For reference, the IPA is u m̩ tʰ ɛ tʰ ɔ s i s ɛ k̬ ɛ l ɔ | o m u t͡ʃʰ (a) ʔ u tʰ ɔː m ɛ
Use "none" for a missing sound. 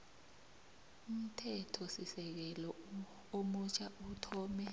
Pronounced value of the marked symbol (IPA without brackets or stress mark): a